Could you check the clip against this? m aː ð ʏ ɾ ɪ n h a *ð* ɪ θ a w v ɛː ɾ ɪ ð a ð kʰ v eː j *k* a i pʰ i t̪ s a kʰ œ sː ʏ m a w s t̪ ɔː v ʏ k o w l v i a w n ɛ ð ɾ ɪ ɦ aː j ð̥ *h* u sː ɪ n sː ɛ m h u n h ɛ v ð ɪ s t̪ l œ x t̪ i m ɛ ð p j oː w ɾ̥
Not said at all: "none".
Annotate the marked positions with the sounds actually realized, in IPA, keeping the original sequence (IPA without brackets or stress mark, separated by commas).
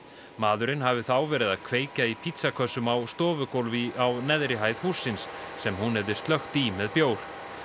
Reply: v, c, h